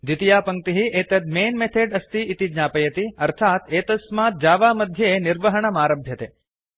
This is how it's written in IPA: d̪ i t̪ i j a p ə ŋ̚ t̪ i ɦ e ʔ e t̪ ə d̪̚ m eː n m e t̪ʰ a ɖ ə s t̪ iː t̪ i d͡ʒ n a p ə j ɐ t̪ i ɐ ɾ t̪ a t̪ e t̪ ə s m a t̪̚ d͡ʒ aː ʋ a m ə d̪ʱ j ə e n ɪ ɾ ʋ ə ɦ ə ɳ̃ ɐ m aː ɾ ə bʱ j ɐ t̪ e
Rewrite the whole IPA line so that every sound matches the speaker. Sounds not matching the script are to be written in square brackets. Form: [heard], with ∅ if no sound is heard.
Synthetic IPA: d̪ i t̪ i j a p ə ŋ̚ t̪ i ɦ [i] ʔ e t̪ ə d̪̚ m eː n m e t̪ʰ [e] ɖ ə s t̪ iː t̪ i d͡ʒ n a p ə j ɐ t̪ i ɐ ɾ [t̪ʰ] a t̪ e t̪ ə s m a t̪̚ d͡ʒ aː ʋ a m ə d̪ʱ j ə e n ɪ ɾ ʋ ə ɦ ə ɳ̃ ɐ m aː ɾ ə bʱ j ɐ t̪ e